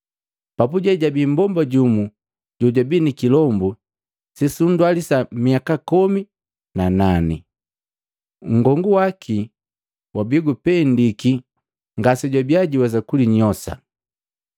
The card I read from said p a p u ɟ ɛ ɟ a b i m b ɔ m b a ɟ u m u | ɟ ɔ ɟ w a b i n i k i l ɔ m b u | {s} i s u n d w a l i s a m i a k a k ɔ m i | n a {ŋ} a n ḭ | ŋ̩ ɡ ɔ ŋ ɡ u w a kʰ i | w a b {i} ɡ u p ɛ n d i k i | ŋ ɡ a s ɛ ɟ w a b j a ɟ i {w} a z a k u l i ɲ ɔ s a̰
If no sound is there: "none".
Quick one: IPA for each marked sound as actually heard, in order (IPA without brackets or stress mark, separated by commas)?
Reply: s, n, i, w